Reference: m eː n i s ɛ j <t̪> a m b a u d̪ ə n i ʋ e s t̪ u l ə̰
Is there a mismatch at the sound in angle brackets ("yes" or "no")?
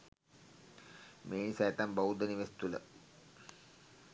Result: no